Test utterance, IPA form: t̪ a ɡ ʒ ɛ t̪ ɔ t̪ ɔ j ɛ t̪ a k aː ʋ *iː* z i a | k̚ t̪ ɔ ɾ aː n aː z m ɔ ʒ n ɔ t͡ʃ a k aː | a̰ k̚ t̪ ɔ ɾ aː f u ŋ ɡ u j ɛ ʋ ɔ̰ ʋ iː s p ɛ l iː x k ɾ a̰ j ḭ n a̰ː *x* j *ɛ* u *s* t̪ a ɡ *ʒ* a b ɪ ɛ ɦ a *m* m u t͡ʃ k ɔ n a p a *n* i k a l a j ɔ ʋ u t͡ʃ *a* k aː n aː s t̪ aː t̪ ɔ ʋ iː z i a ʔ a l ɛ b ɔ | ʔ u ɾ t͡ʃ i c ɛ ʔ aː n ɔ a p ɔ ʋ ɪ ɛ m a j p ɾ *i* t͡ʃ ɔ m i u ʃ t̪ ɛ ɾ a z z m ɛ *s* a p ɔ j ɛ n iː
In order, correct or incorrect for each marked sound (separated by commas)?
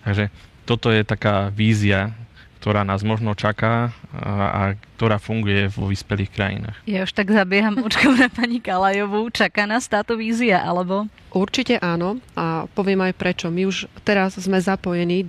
correct, correct, incorrect, incorrect, incorrect, correct, incorrect, correct, incorrect, incorrect